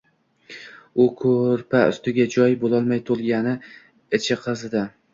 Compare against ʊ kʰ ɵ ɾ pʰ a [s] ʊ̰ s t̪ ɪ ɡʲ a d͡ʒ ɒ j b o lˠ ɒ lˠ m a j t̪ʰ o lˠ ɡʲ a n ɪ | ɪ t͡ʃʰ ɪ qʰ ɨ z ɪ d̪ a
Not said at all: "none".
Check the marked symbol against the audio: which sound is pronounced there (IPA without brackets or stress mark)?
none